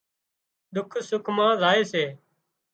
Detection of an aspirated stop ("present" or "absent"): present